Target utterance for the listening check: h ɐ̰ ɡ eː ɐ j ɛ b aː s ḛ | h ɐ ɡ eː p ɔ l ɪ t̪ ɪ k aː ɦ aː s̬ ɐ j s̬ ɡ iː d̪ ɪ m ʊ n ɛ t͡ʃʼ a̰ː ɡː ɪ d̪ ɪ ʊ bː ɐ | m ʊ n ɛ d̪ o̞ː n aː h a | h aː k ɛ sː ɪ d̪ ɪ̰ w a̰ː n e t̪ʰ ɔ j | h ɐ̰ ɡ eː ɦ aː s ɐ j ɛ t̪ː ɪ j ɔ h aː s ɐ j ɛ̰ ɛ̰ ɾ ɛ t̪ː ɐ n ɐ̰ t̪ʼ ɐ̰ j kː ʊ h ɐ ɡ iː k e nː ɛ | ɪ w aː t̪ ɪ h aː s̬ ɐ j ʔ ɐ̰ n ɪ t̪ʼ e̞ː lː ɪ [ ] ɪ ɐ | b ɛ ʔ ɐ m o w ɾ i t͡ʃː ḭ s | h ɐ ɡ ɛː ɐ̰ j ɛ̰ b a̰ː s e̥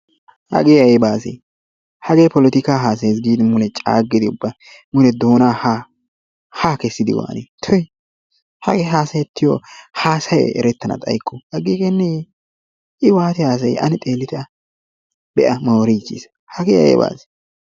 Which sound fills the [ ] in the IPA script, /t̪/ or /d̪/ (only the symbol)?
t̪